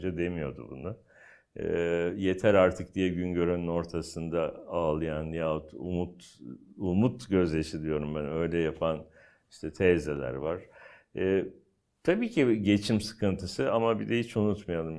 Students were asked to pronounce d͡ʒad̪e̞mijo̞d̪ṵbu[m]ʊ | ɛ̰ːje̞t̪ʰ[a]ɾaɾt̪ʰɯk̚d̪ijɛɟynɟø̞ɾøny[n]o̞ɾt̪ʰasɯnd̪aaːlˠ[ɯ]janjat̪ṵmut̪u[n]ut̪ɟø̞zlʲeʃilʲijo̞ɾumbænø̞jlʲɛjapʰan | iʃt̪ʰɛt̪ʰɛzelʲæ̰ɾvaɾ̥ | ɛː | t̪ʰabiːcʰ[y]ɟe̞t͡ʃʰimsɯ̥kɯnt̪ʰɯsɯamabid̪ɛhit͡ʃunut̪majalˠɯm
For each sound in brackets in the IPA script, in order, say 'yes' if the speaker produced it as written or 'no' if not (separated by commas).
no, no, yes, yes, no, no